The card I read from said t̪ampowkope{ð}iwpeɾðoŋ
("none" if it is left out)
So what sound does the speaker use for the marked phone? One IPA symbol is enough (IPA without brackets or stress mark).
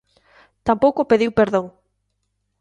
ð